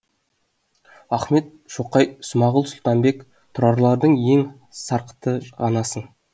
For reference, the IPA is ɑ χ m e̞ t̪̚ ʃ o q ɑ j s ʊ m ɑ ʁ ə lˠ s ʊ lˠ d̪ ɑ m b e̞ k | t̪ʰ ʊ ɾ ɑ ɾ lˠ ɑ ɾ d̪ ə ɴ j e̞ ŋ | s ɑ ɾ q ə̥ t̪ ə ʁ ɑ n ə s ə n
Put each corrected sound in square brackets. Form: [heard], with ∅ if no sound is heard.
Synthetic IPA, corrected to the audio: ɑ χ m e̞ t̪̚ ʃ o q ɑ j s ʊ m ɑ ʁ ə lˠ s ʊ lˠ [t̪] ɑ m b e̞ k | t̪ʰ ʊ ɾ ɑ ɾ lˠ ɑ ɾ d̪ ə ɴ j e̞ ŋ | s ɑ ɾ q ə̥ t̪ ə ʁ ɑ n [ɑ] s ə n